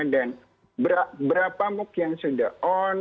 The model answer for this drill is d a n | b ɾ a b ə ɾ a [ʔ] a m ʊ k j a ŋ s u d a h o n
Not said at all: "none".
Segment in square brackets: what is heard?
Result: p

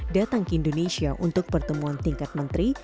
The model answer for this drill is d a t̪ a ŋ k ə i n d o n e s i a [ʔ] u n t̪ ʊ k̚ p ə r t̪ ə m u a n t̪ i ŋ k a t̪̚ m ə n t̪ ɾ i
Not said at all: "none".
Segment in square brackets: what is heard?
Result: ʔ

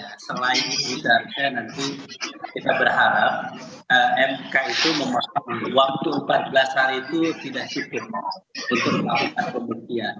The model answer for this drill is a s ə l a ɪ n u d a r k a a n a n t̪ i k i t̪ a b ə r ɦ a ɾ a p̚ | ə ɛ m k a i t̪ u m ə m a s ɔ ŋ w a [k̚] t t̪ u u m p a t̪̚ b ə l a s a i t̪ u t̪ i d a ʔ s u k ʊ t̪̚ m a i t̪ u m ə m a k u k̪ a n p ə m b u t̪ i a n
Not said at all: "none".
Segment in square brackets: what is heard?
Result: k̚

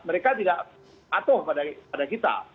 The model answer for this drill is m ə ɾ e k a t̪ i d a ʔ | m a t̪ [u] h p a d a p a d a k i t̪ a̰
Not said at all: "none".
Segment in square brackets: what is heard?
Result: ʊ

